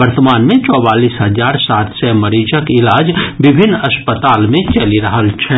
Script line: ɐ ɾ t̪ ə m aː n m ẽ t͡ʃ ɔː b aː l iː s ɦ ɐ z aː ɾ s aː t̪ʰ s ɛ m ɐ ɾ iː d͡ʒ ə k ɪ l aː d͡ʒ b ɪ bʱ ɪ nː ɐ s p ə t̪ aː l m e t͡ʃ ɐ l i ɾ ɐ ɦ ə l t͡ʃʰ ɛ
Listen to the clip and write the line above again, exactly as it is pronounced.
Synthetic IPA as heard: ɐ ɾ t̪ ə m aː n m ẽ t͡ʃ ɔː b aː l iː s ɦ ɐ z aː ɾ s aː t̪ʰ s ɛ m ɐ ɾ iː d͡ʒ ə k ɪ l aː d͡ʒ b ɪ bʱ ɪ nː ɐ s p ə t̪ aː l m ẽ t͡ʃ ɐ l i ɾ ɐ ɦ ə l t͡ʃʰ ɛ